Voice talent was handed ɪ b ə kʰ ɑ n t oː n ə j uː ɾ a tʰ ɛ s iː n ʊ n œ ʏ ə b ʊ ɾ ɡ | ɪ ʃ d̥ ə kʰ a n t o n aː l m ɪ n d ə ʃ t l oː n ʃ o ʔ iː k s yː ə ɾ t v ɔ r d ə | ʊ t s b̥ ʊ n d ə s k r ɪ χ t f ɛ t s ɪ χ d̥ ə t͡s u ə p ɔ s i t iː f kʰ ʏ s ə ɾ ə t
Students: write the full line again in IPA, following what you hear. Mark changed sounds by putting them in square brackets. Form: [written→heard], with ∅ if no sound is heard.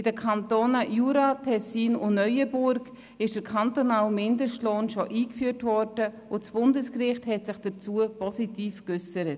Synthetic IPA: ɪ [b→d] ə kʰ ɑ n t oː n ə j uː ɾ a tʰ ɛ s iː n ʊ n œ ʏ ə b ʊ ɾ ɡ | ɪ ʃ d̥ ə kʰ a n t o n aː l m ɪ n d ə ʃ t l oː n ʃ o ʔ iː k [s→f] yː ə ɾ t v ɔ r d ə | ʊ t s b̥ ʊ n d ə s k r ɪ χ t [f→h] ɛ t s ɪ χ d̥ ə t͡s u ə p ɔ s i t iː f [kʰ→k] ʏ s ə ɾ ə t